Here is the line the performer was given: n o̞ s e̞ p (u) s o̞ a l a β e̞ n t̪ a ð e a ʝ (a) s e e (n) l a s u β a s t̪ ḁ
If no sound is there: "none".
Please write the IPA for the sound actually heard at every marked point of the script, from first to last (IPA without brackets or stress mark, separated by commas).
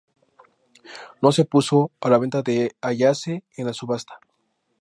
u, a, n